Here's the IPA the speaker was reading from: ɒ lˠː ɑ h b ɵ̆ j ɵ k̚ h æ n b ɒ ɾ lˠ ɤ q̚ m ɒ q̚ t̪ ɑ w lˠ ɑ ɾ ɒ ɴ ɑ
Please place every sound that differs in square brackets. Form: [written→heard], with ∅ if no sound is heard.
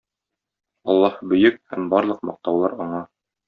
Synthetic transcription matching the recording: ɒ lˠː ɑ h b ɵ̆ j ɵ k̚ h æ [n→m] b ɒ ɾ lˠ ɤ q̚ m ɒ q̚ t̪ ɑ w lˠ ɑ ɾ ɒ ɴ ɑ